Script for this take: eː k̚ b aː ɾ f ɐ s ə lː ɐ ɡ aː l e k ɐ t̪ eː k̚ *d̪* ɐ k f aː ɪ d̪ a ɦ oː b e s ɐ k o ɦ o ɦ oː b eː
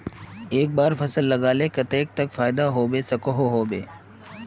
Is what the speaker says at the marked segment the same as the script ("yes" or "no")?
no